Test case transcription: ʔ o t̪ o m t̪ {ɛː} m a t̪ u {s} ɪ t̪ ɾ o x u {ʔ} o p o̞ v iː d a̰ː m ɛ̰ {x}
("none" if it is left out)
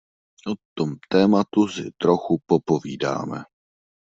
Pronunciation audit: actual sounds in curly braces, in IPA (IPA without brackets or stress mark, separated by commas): ɛː, s, p, none